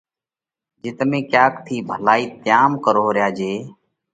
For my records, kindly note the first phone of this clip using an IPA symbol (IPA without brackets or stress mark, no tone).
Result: d͡ʒ